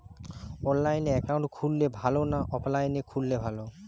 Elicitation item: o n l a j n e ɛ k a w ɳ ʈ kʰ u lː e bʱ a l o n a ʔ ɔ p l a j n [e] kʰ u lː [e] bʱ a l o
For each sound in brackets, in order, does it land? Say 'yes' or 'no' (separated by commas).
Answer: yes, yes